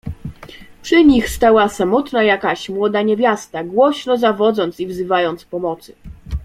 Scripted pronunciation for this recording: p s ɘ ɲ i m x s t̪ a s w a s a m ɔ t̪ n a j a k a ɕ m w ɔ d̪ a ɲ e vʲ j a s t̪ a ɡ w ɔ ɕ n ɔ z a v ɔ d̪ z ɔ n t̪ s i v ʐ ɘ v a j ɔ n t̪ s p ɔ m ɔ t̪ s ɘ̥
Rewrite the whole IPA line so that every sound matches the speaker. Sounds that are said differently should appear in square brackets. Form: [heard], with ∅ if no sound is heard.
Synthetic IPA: p [ʂ] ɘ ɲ i [∅] x s t̪ a [∅] w a s a m ɔ t̪ n a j a k a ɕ m w ɔ d̪ a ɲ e vʲ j a s t̪ a ɡ w ɔ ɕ n ɔ z a v ɔ d̪ z ɔ n t̪ s i v [z] ɘ v a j ɔ n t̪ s p ɔ m ɔ t̪ s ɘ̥